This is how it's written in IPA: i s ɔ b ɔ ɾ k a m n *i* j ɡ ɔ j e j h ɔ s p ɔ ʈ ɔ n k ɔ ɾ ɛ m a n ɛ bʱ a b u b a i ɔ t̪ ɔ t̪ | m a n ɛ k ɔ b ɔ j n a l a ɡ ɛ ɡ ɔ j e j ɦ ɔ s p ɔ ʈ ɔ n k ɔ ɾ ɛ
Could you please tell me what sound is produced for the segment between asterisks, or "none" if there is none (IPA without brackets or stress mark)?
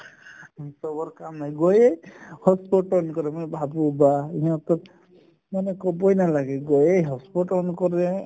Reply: a